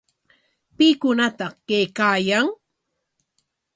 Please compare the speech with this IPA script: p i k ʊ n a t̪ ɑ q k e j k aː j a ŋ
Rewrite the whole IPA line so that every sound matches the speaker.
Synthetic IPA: p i k ʊ n a t̪ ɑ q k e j k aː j a ŋ